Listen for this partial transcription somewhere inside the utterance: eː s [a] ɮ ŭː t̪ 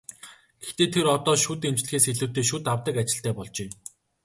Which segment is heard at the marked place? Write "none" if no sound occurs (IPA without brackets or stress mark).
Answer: e